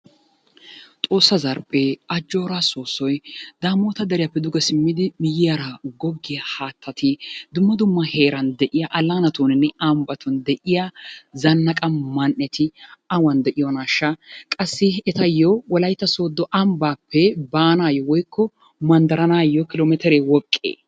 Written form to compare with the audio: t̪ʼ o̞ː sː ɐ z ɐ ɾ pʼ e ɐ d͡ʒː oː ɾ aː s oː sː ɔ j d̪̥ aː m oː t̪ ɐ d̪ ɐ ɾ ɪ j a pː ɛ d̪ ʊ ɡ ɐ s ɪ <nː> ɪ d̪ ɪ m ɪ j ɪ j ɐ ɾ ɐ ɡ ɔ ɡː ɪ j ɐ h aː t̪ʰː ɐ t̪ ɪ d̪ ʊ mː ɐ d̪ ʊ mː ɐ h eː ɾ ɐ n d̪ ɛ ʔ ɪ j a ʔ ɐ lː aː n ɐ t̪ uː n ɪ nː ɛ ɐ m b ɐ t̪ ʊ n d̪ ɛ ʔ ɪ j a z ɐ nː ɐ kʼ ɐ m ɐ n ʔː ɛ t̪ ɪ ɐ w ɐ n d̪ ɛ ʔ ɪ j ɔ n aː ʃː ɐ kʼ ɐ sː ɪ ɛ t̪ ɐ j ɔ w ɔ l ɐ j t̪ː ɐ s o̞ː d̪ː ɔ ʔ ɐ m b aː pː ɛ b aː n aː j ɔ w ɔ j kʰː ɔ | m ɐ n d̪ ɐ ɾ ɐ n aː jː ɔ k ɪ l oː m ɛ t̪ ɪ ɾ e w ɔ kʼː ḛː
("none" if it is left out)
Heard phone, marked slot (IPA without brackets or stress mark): mː